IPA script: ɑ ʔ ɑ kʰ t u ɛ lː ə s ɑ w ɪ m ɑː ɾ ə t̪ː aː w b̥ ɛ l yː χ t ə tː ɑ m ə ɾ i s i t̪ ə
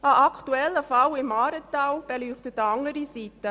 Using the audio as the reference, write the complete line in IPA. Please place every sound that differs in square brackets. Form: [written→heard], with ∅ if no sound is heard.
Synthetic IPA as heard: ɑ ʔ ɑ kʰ t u ɛ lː ə [s→f] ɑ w ɪ m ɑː ɾ ə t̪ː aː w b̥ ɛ l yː χ t ə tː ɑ [m→ŋ] ə ɾ i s i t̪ ə

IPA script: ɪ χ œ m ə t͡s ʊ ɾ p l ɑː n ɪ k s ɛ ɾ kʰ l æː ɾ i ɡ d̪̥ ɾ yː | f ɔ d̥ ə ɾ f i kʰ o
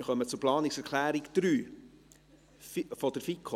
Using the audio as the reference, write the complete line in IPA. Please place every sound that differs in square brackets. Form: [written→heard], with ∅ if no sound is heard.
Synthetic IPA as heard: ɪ χ œ m ə t͡s ʊ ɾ p l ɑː n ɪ k s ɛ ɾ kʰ l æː ɾ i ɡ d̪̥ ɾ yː | f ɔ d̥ ə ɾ f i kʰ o

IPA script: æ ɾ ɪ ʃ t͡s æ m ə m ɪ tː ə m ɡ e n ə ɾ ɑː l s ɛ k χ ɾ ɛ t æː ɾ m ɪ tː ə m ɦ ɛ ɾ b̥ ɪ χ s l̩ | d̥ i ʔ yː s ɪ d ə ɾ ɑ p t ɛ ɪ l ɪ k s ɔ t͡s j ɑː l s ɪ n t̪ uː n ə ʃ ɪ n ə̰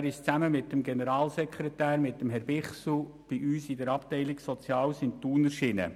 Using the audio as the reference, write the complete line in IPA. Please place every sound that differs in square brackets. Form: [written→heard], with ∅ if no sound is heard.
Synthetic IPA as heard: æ ɾ ɪ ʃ t͡s æ m ə m ɪ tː ə m ɡ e n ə ɾ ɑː l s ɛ k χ ɾ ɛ t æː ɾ m ɪ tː ə m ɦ ɛ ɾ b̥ ɪ χ s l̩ | [d̥→b̥] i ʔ yː s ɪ d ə ɾ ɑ p t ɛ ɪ l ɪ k s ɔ t͡s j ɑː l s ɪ n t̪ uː n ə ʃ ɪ n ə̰

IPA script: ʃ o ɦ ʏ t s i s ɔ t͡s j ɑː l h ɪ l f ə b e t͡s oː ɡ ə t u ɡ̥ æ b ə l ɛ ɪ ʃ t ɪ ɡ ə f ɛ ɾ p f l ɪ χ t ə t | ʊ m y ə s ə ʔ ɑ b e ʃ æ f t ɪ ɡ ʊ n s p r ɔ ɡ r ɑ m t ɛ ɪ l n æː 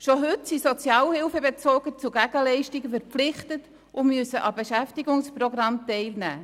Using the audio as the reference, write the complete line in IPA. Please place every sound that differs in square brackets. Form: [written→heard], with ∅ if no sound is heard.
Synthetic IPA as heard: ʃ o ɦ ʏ t s i s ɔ t͡s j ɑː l h ɪ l f ə b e t͡s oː ɡ ə [t→t͡s] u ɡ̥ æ [b→ɡ] ə l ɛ ɪ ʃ t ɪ ɡ ə f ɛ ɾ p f l ɪ χ t ə t | ʊ m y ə s ə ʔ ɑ b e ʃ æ f t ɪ ɡ ʊ [n→ŋ] s p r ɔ ɡ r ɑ m t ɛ ɪ l n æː

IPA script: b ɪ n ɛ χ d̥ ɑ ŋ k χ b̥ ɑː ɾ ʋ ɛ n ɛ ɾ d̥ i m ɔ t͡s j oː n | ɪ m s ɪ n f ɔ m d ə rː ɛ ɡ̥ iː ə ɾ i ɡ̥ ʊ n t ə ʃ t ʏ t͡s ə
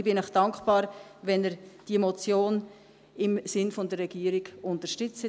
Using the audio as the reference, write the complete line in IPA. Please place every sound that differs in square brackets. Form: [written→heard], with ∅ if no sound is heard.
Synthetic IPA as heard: b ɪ n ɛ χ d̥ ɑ ŋ k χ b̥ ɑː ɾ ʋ ɛ n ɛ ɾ d̥ i m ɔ t͡s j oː n | ɪ m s ɪ n f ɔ [m→n] d ə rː ɛ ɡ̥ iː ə ɾ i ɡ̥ ʊ n t ə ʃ t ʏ t͡s ə

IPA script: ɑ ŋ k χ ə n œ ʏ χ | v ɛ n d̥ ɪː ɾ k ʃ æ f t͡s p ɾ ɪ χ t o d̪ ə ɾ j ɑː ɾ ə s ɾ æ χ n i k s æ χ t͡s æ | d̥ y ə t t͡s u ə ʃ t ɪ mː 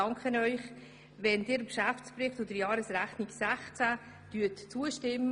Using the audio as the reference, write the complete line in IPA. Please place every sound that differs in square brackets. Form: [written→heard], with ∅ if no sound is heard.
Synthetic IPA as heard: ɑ ŋ k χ ə n œ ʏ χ | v ɛ n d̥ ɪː ɾ k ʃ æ f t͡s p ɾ ɪ χ t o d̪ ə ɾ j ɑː ɾ ə s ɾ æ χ n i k s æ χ t͡s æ | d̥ y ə t t͡s u ə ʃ t ɪ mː

